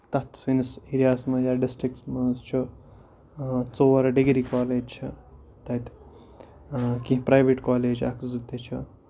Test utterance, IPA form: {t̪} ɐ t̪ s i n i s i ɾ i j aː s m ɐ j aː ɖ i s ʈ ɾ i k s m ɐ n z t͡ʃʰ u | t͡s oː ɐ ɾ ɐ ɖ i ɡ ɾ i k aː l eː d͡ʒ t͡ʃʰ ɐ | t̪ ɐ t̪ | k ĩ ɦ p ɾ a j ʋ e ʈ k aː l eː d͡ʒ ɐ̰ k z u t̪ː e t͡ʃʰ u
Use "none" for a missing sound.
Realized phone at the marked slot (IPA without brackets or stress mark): t̪